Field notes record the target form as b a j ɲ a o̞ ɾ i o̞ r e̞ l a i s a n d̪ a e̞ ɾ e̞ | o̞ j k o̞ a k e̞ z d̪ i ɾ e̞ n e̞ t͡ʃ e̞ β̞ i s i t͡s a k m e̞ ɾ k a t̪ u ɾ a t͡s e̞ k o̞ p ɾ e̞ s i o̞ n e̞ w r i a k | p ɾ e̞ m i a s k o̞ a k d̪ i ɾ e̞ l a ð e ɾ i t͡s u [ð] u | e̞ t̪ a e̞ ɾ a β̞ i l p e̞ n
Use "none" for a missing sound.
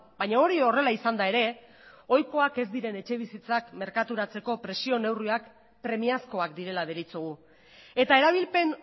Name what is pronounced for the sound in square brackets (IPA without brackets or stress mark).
ɣ